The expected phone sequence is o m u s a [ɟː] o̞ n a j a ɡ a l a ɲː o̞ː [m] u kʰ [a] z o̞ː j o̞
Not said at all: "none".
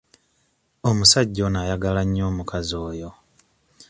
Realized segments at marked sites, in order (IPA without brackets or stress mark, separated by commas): ɟː, m, a